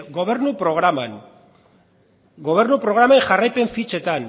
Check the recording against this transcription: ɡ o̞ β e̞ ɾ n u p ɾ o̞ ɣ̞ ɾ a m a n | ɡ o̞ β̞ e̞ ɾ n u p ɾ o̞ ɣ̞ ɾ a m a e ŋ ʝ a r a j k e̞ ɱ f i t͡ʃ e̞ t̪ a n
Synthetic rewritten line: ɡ o̞ β e̞ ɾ n u p ɾ o̞ ɣ̞ ɾ a m a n | ɡ o̞ β̞ e̞ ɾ n u p ɾ o̞ ɣ̞ ɾ a m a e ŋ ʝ a r a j p e̞ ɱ f i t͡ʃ e̞ t̪ a n